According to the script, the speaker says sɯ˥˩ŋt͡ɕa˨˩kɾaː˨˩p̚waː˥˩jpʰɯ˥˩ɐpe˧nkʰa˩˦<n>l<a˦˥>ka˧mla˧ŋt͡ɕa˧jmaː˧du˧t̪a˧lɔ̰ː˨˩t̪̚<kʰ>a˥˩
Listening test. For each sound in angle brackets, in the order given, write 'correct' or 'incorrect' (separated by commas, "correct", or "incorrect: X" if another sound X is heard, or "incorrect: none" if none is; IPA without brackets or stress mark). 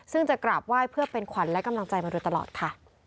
correct, incorrect: ɛ˦˥, correct